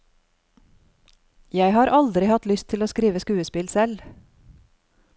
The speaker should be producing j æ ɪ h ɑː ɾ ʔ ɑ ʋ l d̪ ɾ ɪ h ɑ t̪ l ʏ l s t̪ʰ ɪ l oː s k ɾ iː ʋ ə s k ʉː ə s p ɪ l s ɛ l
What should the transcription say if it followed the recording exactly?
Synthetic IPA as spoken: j æ ɪ h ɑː ɾ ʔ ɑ l d̪ ɾ ɪ h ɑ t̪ l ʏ s t̪ʰ ɪ l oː s k ɾ iː ʋ ə s k ʉː ə s p ɪ l s ɛ l